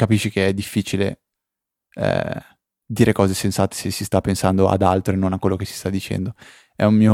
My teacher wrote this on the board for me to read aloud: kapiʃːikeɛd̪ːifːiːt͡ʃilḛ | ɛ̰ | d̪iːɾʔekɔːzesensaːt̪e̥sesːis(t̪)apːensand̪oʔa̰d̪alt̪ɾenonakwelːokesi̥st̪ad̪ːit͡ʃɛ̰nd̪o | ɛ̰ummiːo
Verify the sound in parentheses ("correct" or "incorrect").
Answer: correct